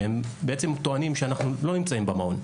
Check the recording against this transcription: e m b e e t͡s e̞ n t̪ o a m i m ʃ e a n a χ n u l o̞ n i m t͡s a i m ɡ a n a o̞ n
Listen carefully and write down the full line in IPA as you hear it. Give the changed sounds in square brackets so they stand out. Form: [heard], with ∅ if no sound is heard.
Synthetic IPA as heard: e m b e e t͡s e̞ [m] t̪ o a [n] i m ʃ e a n a χ n u l o̞ n i m t͡s a i m [b] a [m] a o̞ n